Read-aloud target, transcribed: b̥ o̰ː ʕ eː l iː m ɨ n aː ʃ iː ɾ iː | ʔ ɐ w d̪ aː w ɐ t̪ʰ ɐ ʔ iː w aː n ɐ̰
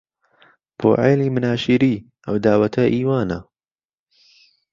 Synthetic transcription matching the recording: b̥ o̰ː ʕ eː l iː m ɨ n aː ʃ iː ɾ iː | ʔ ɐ w d̪ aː w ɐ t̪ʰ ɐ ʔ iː w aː n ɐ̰

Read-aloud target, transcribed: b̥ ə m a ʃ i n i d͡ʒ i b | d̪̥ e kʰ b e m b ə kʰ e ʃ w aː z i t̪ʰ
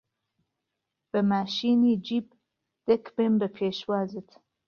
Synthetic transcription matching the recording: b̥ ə m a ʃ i n i d͡ʒ i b | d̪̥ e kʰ b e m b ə pʰ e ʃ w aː z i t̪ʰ

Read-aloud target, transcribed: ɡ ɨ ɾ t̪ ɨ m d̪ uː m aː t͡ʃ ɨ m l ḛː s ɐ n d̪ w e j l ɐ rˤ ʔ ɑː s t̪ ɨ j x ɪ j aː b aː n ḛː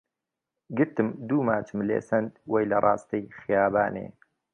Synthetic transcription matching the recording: ɡ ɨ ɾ t̪ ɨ m d̪ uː m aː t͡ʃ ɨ m l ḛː s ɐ n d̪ w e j l ɐ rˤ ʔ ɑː s t̪ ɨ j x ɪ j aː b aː n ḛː

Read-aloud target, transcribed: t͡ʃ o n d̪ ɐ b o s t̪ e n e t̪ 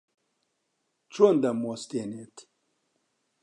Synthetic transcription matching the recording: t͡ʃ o n d̪ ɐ m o s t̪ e n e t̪

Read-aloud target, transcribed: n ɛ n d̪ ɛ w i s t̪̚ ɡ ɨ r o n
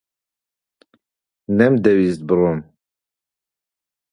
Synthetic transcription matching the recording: n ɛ m d̪ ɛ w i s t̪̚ b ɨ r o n

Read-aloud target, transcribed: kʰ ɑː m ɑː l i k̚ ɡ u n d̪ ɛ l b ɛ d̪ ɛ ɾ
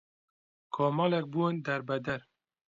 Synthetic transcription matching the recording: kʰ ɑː m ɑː l ɛ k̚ b u n d̪ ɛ ɾ b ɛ d̪ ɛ ɾ

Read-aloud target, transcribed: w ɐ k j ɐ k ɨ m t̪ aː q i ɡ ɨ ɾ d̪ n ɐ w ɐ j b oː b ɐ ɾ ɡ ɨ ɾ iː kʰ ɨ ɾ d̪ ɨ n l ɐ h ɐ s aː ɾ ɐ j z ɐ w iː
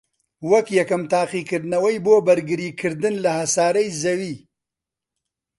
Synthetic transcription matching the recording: w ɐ k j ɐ k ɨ m t̪ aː q i k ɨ ɾ d̪ n ɐ w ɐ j b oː b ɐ ɾ ɡ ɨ ɾ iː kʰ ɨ ɾ d̪ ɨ n l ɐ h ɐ s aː ɾ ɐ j z ɐ w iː

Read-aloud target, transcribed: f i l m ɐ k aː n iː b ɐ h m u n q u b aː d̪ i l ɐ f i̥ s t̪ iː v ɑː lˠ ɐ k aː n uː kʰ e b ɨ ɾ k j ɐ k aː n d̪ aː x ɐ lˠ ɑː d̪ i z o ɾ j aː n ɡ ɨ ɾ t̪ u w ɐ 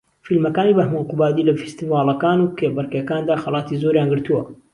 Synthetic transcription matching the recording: f i l m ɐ k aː n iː b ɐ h m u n q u b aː d̪ i l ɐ f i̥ s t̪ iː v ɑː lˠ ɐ k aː n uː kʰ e b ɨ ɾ k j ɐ k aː n d̪ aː x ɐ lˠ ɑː t̪ i z o ɾ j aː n ɡ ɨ ɾ t̪ u w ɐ

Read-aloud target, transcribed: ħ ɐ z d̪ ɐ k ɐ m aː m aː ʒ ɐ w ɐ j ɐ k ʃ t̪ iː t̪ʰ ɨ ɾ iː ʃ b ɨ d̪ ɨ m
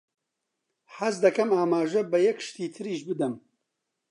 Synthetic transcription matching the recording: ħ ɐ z d̪ ɐ k ɐ m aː m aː ʒ ɐ b ɐ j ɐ k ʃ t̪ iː t̪ʰ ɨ ɾ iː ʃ b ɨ d̪ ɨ m

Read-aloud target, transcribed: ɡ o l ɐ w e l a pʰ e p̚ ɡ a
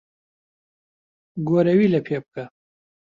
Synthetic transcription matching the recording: ɡ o ɾ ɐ w i l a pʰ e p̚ k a

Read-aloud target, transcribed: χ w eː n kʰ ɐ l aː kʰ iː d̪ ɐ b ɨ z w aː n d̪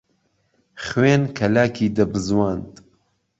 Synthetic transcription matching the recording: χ w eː n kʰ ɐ l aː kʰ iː d̪ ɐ b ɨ z w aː n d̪

